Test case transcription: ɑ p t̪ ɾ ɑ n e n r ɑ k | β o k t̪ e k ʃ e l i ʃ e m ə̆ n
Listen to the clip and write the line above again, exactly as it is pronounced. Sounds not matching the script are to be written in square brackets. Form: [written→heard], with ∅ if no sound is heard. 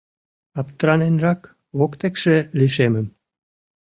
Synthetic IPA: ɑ p t̪ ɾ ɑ n e n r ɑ k | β o k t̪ e k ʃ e l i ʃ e m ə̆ [n→m]